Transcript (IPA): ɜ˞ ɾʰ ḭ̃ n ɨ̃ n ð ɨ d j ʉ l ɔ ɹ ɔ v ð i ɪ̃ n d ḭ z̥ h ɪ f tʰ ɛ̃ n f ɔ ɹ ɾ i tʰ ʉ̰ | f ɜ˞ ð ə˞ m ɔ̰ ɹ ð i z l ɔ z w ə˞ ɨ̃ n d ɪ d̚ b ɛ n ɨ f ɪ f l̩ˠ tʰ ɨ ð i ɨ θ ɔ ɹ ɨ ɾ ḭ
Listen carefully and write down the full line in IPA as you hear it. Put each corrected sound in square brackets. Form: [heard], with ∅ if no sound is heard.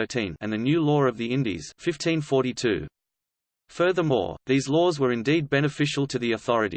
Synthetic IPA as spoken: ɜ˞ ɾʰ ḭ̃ n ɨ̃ n ð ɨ [n] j ʉ l ɔ ɹ [ʌ] v ð i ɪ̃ n d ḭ z̥ [f] ɪ f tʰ [ĩ] n f ɔ ɹ ɾ i tʰ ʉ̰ | f ɜ˞ ð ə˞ m ɔ̰ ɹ ð i z l ɔ z w ə˞ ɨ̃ n d [i] d̚ b ɛ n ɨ f ɪ [ʃ] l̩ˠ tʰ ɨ ð i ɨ θ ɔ ɹ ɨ ɾ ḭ